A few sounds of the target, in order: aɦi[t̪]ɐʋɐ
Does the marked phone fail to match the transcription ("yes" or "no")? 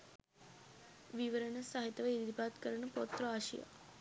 no